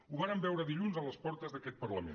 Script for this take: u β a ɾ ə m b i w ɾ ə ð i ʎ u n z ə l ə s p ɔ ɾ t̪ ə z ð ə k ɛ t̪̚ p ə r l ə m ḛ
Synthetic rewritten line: u β a ɾ ə m b ɛ w ɾ ə ð i ʎ u n z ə l ə s p ɔ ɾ t̪ ə z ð ə k ɛ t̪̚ p ə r l ə m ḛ